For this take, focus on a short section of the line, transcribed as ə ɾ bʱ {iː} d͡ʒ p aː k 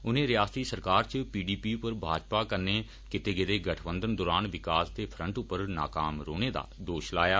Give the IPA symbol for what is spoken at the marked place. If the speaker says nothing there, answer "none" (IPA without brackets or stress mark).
aː